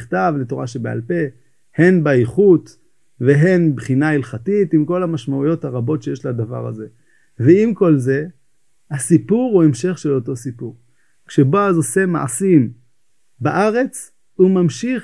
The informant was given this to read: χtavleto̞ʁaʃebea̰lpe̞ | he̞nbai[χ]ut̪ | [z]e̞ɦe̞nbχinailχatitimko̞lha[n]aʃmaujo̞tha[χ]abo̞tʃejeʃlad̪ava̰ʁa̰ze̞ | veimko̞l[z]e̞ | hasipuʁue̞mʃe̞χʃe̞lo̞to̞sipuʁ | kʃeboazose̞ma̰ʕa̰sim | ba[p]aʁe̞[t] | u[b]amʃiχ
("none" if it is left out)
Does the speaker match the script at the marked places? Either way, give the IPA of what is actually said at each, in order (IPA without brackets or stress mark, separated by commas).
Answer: χ, v, m, ʁ, z, ʔ, t͡s, m